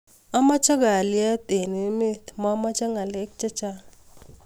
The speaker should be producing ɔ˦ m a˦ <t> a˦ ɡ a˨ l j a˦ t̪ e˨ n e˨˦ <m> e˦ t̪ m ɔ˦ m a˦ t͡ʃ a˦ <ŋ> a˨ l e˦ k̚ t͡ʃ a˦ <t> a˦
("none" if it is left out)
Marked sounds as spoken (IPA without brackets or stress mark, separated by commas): t͡ʃ, m, ŋ, t͡ʃ